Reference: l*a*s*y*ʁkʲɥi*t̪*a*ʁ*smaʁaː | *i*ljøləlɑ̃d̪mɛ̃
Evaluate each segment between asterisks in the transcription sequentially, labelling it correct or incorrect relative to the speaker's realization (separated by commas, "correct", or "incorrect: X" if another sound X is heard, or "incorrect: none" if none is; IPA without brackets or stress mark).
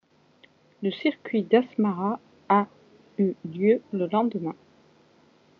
incorrect: ə, incorrect: i, incorrect: d̪, incorrect: none, incorrect: y